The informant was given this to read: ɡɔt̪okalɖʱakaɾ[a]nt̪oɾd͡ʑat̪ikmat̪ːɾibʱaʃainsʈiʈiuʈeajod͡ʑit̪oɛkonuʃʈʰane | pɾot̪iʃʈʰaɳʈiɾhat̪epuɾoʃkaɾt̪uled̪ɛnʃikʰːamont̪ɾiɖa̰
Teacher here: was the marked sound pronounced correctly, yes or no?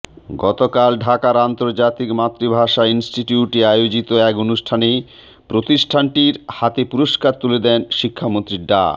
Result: yes